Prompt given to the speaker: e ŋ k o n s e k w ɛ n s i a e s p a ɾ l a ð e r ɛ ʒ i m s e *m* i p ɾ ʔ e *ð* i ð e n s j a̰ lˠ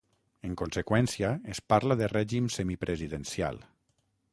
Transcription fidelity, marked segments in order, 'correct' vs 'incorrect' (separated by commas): correct, incorrect